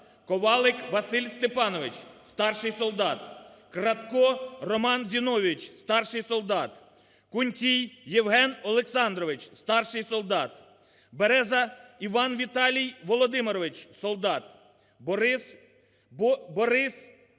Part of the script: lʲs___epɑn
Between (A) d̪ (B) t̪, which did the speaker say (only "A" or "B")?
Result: B